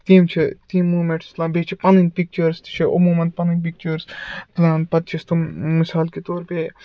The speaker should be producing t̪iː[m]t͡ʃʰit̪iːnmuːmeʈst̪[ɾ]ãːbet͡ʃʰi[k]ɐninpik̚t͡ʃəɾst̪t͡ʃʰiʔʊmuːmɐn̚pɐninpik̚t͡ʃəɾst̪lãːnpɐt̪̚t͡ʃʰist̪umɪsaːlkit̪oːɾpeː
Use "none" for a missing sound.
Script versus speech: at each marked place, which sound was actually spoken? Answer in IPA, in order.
m, l, p

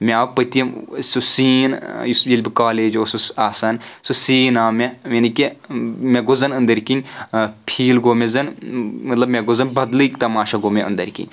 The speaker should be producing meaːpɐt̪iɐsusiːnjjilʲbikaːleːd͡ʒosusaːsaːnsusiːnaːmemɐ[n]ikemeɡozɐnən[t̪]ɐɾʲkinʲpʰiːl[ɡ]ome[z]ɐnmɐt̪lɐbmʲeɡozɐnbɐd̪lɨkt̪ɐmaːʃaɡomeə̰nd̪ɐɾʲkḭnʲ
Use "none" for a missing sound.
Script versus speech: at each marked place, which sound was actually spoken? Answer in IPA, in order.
n, d̪, ɡ, z

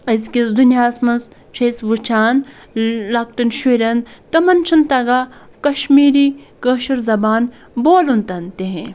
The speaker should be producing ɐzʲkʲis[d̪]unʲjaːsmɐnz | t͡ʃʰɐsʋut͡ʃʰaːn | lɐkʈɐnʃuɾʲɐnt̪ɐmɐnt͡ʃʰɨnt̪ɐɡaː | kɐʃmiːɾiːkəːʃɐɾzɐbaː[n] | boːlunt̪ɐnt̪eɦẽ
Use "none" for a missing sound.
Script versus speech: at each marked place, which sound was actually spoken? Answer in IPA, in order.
d̪, n

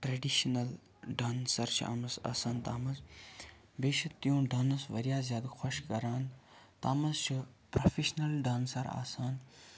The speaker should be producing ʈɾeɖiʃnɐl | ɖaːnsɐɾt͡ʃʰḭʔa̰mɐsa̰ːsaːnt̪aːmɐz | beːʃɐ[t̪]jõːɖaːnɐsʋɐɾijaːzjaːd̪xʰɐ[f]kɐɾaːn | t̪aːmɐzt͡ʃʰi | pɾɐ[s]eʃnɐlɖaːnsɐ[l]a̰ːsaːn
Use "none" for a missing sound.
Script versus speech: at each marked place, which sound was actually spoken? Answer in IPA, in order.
t̪, ʃ, f, ɾ

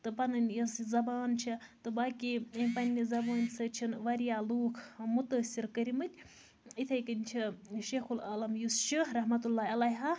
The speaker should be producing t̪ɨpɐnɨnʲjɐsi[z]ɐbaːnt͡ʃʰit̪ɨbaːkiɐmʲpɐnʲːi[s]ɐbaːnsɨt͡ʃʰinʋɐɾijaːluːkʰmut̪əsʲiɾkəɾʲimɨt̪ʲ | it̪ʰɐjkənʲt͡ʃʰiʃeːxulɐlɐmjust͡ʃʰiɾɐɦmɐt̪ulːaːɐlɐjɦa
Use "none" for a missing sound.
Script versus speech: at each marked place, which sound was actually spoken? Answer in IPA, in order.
z, z

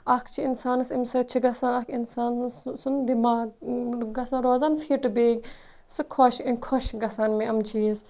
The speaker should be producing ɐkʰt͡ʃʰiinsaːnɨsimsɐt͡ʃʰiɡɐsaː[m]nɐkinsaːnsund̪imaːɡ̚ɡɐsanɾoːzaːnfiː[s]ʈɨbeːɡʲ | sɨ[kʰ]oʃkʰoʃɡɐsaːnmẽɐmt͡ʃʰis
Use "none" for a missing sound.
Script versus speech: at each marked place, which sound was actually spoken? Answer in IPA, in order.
none, none, kʰ

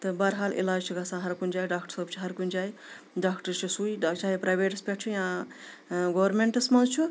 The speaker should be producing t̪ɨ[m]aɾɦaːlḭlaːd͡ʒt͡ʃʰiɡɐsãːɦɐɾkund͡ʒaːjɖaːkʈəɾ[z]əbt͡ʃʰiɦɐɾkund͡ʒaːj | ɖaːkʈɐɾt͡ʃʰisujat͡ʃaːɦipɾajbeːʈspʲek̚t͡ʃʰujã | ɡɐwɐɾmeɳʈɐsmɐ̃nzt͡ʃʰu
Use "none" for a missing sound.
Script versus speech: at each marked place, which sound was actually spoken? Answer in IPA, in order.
b, s

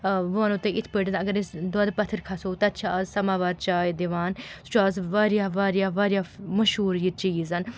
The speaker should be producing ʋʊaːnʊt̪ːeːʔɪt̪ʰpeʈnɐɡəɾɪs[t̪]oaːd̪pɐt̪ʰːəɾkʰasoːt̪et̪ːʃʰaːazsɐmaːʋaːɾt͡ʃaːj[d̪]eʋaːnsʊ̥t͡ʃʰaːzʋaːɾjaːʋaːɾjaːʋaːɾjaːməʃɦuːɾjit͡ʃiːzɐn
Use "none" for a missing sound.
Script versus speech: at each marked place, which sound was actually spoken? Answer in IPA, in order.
d̪, d̪

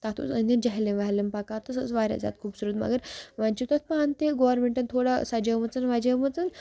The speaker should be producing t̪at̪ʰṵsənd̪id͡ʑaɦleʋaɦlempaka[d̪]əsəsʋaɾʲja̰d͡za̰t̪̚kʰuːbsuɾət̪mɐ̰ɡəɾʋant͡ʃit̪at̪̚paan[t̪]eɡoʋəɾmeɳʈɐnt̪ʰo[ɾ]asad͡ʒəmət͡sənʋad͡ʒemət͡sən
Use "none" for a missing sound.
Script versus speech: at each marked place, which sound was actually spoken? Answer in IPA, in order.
t̪, t̪, ɽ

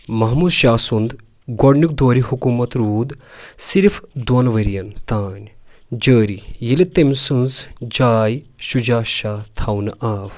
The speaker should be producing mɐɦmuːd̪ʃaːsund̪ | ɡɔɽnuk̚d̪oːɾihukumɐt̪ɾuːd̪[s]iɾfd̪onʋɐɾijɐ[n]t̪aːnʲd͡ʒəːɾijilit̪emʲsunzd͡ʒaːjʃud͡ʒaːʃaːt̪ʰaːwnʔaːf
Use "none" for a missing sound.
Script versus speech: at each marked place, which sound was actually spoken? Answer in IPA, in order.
s, n

